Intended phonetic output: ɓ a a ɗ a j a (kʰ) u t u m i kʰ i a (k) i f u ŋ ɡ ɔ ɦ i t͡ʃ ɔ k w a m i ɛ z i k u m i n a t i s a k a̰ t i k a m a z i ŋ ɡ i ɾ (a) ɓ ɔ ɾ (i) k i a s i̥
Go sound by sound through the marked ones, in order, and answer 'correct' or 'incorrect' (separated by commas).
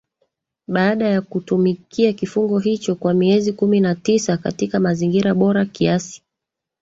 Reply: incorrect, correct, correct, incorrect